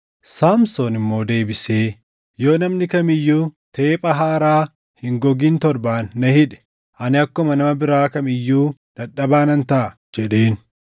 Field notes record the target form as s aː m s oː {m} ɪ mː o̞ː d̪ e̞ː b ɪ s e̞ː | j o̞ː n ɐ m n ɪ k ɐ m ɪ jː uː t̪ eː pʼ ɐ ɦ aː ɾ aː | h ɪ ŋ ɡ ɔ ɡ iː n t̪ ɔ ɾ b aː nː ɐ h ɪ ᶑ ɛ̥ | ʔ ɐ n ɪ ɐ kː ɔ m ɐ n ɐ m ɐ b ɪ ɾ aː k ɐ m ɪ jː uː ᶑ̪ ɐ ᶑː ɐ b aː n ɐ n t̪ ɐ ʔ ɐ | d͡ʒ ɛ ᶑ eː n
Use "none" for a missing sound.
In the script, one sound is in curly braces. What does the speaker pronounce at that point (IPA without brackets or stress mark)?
n